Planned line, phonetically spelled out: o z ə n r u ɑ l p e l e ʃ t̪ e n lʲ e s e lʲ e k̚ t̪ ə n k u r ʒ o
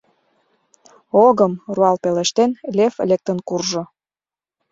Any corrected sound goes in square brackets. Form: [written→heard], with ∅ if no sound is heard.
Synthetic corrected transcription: o [z→ɣ] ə [n→m] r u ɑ l p e l e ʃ t̪ e n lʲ e [s→f] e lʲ e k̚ t̪ ə n k u r ʒ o